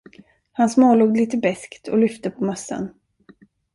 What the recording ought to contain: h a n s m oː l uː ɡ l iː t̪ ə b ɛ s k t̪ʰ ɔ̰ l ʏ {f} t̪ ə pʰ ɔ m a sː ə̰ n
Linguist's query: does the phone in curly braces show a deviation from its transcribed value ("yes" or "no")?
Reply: no